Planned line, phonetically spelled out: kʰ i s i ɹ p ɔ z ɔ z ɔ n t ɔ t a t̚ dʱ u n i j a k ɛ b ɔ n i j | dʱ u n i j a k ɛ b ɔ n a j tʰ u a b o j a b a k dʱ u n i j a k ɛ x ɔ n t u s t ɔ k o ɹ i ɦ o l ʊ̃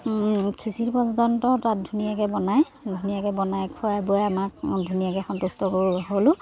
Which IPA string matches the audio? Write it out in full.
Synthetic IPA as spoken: kʰ i s i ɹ p ɔ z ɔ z ɔ n t ɔ t a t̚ dʱ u n i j a k ɛ b ɔ n a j | dʱ u n i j a k ɛ b ɔ n a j kʰ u a b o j a m a k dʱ u n i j a k ɛ x ɔ n t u s t ɔ k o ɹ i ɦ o l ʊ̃